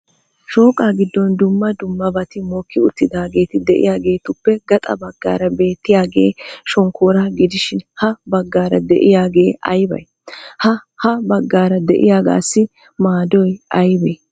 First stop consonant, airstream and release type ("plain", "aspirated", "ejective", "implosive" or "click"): ejective